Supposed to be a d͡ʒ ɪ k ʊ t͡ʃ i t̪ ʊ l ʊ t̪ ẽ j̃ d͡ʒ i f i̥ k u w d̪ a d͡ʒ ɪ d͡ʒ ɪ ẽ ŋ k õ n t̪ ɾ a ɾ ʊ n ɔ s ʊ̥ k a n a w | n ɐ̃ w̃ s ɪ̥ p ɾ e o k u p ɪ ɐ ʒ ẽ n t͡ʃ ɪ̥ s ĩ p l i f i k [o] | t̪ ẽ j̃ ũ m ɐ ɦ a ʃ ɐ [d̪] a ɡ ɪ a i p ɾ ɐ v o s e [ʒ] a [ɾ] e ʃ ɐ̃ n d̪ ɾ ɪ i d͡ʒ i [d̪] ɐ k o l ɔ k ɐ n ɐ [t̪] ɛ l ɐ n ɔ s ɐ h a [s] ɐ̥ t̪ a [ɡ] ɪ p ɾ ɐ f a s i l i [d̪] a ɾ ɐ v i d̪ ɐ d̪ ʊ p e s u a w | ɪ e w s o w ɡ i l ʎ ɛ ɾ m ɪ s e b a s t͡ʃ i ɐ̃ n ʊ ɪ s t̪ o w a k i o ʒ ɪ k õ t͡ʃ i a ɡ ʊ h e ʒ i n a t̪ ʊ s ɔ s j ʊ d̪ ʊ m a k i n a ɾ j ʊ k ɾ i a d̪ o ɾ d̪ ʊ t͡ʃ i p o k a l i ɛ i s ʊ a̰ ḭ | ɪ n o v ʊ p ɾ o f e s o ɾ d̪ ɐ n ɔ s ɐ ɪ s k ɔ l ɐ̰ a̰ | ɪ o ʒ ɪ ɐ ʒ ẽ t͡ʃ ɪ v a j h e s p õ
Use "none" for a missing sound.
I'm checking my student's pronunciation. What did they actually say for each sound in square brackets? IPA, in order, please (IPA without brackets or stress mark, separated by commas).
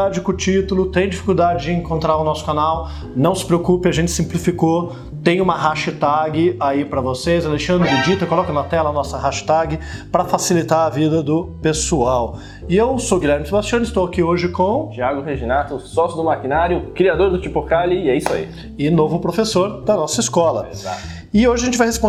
o, t̪, z, l, t̪, t̪, ʃ, ɡ, t̪